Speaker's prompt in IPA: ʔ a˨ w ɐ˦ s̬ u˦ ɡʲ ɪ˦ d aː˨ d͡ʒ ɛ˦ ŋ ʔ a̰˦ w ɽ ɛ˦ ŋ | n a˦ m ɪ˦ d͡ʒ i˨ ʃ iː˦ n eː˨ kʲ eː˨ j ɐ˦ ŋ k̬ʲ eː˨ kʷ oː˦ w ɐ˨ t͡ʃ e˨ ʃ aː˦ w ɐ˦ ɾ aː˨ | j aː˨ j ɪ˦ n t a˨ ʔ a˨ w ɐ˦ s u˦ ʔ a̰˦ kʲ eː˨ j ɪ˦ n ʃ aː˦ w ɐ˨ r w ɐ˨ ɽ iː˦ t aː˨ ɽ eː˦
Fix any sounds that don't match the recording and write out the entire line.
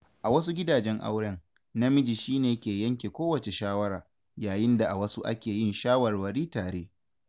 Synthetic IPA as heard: ʔ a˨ w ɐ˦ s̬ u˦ ɡʲ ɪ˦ d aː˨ d͡ʒ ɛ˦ ŋ ʔ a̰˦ w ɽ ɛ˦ ŋ | n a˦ m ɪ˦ d͡ʒ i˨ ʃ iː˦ n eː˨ kʲ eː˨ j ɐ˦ ŋ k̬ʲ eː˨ kʷ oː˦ w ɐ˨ t͡ʃ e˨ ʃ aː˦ w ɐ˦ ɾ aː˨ | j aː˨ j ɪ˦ n d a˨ ʔ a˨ w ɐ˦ s u˦ ʔ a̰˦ kʲ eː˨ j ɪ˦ n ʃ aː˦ w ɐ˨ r w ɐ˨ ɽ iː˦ t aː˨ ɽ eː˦